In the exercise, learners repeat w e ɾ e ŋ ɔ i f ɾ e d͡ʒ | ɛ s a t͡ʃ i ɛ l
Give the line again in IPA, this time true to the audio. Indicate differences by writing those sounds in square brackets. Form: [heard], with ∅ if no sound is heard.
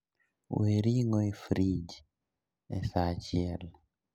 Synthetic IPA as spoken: w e ɾ [i] ŋ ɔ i f ɾ [i] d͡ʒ | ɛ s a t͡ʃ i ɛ l